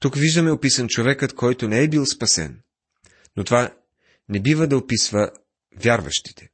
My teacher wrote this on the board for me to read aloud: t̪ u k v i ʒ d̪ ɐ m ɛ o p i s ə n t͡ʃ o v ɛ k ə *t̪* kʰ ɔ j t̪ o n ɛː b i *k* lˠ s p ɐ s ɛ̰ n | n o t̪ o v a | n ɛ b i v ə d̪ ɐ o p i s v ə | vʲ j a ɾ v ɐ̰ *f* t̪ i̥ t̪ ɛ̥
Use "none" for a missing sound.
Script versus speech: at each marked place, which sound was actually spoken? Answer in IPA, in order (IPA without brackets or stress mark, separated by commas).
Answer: t̪, none, ʃ